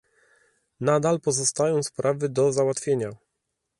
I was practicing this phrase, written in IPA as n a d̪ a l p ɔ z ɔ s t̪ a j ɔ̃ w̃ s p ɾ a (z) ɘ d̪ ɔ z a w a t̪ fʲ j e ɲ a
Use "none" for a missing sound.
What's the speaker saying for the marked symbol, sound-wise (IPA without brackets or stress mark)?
v